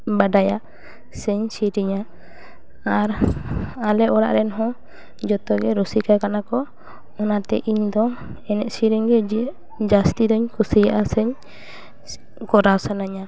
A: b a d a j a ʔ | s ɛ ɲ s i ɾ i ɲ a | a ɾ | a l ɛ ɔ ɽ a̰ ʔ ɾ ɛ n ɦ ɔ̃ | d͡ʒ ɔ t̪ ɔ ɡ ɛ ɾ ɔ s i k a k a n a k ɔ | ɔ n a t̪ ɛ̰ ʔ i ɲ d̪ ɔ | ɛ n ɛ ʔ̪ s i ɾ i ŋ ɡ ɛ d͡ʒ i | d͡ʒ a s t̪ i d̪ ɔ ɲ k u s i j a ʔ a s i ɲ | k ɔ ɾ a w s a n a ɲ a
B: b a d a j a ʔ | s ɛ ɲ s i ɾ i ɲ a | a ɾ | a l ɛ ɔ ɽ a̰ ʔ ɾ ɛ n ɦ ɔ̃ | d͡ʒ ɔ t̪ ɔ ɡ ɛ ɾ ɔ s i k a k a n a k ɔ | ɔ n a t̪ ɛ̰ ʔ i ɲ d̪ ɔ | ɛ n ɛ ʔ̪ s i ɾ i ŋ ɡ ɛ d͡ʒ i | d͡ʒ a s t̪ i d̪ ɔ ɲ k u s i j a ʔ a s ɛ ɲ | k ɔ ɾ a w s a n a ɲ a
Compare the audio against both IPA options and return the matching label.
B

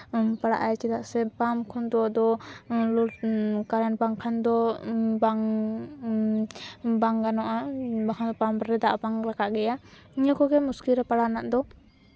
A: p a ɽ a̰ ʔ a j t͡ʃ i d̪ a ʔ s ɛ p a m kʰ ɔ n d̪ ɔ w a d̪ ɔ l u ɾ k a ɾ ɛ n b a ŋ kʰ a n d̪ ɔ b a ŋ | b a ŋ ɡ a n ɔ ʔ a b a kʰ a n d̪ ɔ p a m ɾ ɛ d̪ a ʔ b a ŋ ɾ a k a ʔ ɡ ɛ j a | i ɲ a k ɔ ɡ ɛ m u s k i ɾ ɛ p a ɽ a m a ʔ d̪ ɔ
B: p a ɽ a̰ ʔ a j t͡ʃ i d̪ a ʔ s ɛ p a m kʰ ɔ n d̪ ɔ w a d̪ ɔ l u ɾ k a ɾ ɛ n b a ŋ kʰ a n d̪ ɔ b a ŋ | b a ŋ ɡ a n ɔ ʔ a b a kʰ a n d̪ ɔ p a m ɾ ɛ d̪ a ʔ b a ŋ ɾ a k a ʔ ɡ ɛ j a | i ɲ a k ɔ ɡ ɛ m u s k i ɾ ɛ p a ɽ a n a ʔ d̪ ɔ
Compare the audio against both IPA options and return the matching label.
B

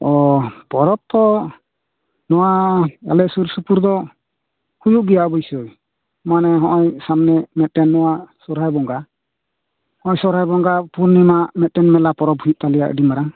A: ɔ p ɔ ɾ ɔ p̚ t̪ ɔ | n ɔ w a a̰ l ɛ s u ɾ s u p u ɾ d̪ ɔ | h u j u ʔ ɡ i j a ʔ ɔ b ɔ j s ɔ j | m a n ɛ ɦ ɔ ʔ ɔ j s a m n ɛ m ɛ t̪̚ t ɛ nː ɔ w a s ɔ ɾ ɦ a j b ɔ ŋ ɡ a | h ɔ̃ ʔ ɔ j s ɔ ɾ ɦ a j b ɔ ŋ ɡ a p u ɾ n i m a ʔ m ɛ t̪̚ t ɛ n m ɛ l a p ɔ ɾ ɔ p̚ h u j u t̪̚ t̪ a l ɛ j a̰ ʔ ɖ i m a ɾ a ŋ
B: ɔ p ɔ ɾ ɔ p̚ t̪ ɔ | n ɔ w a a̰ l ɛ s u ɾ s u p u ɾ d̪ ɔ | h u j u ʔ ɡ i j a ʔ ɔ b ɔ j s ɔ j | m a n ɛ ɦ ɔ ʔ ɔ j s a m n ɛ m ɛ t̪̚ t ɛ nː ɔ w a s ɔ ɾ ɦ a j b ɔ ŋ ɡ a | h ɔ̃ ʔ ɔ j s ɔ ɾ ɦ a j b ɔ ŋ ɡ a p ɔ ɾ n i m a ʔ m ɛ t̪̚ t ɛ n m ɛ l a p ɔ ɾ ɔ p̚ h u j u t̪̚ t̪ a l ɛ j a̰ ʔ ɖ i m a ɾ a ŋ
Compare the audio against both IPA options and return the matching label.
A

